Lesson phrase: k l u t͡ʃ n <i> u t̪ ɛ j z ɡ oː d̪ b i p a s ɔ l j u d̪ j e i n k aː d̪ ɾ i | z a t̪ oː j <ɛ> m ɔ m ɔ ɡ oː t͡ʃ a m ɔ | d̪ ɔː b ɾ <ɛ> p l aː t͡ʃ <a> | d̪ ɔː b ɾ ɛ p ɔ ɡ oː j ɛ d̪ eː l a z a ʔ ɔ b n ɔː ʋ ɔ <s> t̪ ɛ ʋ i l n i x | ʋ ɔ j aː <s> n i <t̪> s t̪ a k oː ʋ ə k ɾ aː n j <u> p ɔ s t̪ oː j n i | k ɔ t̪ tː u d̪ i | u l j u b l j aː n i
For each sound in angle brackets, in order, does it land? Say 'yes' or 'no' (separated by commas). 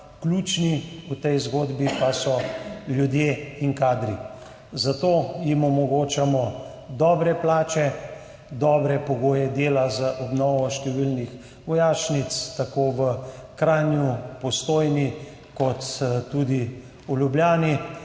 yes, no, yes, no, no, no, yes, yes